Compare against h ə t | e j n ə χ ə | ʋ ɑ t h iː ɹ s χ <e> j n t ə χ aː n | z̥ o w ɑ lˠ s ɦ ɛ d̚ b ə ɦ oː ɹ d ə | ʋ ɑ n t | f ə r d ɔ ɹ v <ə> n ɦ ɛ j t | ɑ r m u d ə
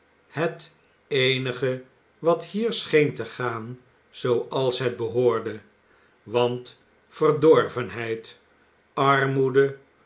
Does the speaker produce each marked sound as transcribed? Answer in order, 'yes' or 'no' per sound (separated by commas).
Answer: yes, yes